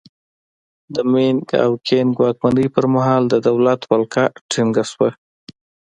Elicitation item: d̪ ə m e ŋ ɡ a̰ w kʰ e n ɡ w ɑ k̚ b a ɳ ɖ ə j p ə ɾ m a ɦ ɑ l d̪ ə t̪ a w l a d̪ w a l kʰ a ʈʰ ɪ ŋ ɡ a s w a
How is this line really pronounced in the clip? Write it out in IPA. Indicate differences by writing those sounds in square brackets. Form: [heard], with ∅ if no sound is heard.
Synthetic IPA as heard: d̪ ə m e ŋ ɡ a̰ w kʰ e n ɡ w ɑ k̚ [m] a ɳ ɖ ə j p ə ɾ m a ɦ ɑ l d̪ ə [d̪] a w l a [t̪] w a l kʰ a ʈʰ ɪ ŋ ɡ a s w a